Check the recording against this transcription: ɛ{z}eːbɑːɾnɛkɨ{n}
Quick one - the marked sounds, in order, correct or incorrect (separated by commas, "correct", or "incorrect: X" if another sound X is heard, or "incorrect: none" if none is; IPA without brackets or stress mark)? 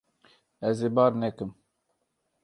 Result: correct, incorrect: m